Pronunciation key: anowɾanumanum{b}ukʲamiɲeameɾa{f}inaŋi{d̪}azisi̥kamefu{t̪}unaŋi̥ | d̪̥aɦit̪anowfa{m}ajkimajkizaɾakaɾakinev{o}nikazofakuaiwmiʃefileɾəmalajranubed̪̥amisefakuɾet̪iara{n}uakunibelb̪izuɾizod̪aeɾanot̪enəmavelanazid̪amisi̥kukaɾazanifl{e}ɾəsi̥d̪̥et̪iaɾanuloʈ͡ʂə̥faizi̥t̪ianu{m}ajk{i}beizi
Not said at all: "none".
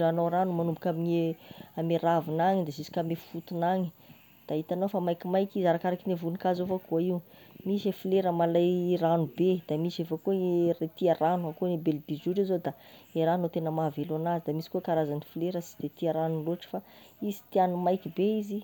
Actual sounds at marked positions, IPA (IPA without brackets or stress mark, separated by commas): b, v, d̪, t̪, m, u, n, e, m, i